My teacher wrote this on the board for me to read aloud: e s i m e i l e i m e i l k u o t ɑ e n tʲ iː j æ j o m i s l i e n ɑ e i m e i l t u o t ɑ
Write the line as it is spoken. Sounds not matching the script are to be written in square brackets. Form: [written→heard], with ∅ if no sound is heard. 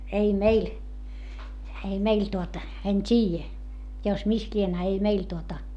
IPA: e [s→∅] i m e i l e i m e i l [k→t] u o t ɑ e n tʲ iː j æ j o m i s l i e n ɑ e i m e i l t u o t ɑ